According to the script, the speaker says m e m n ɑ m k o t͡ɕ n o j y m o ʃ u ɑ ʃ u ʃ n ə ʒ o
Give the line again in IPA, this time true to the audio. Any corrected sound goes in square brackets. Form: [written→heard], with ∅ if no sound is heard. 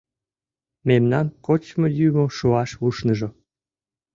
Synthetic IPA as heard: m e m n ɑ [m→n] k o t͡ɕ [n→m] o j y m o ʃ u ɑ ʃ u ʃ n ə ʒ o